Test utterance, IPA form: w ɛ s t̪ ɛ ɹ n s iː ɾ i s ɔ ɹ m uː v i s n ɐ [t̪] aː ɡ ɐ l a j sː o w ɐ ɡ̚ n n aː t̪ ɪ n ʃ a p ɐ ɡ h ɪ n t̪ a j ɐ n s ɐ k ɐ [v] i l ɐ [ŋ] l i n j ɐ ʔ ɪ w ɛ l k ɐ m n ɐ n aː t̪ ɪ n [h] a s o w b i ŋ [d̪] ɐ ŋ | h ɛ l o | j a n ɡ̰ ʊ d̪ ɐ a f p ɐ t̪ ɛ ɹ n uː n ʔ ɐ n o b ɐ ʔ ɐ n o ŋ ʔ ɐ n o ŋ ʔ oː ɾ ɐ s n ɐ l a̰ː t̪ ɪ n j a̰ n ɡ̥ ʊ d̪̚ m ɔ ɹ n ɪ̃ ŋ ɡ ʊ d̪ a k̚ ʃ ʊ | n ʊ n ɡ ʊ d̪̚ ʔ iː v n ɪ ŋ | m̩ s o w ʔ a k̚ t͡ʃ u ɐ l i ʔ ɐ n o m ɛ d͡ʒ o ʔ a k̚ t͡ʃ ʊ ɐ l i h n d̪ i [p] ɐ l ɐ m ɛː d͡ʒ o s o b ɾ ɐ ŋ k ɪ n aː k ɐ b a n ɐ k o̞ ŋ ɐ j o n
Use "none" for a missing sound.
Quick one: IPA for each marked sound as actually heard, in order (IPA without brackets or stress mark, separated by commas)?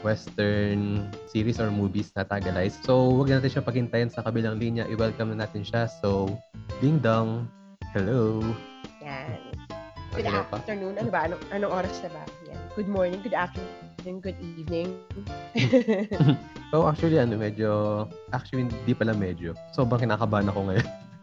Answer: t̪, b, ŋ, ʃ, d̪, p